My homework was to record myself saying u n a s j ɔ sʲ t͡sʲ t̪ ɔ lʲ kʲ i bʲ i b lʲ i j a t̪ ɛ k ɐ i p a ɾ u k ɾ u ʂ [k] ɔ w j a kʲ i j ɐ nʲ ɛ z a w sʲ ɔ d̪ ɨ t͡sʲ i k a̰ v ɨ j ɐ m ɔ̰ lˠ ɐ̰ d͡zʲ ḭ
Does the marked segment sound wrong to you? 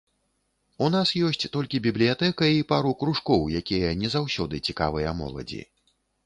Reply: no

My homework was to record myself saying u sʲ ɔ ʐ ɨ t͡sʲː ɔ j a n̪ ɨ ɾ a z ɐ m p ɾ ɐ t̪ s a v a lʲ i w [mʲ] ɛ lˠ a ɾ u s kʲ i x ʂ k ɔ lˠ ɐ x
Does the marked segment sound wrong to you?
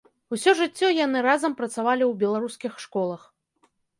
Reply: yes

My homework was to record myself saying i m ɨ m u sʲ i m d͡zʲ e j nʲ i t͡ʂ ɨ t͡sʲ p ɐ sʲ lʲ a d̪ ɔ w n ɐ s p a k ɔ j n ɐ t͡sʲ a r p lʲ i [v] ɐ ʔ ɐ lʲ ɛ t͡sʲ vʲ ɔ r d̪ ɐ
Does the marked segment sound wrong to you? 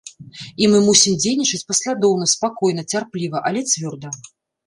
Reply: no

